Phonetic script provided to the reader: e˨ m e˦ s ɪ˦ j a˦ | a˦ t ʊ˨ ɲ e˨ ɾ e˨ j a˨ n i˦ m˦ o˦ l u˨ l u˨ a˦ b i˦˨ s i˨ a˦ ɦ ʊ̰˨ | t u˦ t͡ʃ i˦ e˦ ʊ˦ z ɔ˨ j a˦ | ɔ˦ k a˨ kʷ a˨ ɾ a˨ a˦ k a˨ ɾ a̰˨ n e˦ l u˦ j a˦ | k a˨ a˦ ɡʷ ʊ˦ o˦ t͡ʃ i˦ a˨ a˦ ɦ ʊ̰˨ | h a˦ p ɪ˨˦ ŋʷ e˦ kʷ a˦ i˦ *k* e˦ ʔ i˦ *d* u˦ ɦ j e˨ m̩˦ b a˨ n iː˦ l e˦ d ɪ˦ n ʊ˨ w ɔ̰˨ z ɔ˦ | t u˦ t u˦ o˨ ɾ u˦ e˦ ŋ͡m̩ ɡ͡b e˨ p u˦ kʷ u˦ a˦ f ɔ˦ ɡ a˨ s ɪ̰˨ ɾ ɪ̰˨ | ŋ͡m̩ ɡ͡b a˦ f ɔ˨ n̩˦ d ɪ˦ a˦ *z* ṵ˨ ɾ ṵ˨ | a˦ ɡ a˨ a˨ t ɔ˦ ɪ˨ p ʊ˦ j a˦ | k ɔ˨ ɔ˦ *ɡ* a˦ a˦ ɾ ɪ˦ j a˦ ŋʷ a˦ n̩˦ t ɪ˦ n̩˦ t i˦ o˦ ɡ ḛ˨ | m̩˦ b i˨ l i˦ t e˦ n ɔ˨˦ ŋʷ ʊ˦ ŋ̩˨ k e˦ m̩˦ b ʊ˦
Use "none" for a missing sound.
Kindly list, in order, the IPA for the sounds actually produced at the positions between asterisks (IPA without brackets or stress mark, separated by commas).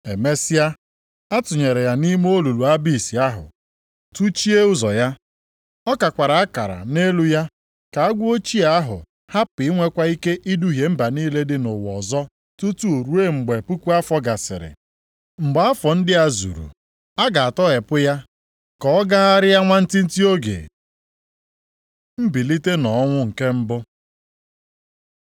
k, d, z, ɡ